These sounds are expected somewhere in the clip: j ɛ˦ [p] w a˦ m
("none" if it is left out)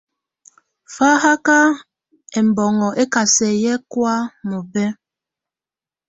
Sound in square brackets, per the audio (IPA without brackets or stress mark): k